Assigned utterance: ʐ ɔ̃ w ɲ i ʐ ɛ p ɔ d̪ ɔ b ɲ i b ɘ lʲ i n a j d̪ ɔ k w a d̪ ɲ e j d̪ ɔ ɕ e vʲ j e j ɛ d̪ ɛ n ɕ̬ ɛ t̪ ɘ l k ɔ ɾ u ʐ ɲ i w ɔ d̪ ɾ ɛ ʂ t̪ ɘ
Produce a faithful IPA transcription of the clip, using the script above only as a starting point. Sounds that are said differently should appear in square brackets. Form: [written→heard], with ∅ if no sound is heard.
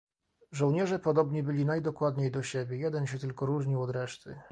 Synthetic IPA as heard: ʐ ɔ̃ w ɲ [i→ɛ] ʐ ɛ p ɔ d̪ ɔ b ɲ i b ɘ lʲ i n a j d̪ ɔ k w a d̪ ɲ e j d̪ ɔ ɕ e [vʲ→bʲ] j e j ɛ d̪ ɛ n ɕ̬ ɛ t̪ ɘ l k ɔ ɾ u ʐ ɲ i w ɔ d̪ ɾ ɛ ʂ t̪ ɘ